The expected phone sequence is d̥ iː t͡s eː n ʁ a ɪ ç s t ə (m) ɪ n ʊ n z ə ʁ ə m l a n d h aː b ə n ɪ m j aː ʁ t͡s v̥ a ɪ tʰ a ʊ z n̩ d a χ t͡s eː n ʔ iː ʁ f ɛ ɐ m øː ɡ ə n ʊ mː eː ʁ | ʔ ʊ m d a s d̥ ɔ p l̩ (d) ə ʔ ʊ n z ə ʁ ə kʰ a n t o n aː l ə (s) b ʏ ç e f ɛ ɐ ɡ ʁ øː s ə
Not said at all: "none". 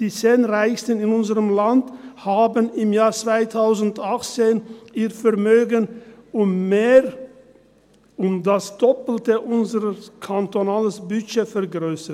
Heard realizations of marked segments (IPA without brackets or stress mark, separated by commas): n, t, s